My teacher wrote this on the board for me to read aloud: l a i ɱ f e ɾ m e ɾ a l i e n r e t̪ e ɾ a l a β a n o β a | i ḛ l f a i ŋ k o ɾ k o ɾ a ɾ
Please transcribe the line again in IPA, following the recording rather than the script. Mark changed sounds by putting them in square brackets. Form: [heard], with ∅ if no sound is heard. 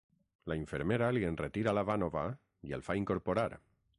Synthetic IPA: l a i ɱ f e ɾ m e ɾ a l i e n r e t̪ [i] ɾ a l a β a n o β a | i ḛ l f a i ŋ k o ɾ [p] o ɾ a ɾ